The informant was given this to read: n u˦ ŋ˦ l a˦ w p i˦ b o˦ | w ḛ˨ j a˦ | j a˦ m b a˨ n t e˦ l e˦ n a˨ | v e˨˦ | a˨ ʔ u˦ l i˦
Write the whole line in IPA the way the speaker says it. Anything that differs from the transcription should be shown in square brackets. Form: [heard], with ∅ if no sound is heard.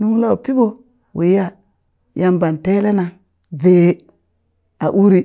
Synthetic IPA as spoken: n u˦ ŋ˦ l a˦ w p i˦ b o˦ | w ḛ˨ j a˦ | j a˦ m b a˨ n t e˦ l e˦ n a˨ | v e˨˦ | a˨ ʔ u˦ [ɾ] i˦

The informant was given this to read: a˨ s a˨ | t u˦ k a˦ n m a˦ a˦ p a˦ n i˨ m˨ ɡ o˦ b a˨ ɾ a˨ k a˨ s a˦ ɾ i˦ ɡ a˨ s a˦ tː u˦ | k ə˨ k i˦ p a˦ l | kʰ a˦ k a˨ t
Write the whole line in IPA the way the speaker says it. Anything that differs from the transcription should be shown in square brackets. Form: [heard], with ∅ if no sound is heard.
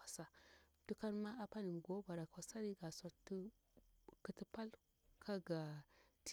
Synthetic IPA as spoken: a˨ s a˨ | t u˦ k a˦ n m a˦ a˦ p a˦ n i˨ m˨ ɡ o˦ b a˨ ɾ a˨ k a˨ s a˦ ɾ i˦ ɡ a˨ s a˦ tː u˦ | k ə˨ [t] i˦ p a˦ l | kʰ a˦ [ɡ] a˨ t

